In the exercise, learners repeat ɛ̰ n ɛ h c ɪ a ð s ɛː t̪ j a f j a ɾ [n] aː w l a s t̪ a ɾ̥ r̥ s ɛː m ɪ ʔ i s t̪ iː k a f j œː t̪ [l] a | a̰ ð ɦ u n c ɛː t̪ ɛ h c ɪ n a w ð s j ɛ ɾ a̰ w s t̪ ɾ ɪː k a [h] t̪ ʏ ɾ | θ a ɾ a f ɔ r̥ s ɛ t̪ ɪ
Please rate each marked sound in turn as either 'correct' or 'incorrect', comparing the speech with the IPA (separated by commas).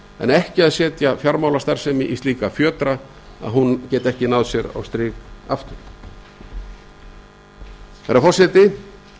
incorrect, incorrect, incorrect